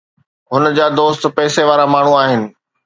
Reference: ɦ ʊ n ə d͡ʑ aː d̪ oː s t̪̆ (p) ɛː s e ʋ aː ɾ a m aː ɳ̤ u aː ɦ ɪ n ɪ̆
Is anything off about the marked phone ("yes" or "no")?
no